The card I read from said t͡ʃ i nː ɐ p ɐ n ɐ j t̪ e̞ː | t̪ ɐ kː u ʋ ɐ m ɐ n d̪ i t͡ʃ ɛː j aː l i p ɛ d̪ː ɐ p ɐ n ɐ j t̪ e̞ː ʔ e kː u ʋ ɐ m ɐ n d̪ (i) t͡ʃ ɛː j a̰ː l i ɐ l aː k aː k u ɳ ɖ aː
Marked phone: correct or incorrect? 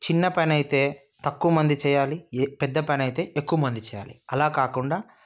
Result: correct